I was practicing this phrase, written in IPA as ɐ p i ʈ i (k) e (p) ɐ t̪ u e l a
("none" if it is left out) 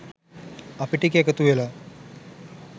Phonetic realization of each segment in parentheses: k, k

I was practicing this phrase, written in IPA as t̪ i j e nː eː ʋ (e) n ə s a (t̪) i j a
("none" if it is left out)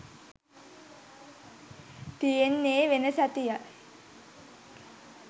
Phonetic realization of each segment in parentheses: e, t̪

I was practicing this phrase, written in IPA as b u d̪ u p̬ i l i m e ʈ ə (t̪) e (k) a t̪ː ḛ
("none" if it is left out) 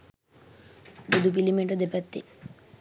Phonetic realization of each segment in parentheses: d̪, p

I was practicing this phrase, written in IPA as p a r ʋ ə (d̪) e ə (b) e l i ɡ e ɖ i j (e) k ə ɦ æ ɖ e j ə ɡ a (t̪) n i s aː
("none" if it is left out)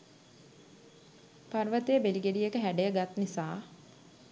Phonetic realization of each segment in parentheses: t̪, b, e, t̪

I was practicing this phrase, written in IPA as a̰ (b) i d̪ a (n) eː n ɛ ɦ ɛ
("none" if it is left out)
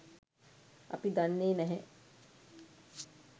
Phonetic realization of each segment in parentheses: p, nː

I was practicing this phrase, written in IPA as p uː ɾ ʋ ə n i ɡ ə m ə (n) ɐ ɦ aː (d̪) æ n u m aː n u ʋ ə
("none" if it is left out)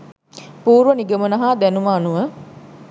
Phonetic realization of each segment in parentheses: n, d̪

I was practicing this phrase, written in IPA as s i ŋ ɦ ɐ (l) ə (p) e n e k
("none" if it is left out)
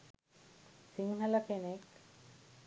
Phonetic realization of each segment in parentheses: l, k

